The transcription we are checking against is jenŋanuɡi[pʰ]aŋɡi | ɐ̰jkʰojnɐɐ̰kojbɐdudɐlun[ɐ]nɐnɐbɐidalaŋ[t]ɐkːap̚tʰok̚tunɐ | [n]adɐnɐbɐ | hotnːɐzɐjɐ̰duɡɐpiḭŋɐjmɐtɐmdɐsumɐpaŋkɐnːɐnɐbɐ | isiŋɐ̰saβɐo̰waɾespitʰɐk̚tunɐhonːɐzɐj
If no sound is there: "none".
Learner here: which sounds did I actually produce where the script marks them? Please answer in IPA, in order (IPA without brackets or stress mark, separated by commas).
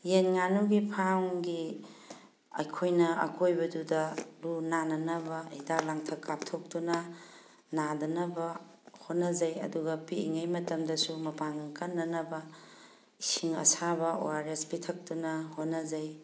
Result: pʰ, a, tʰ, n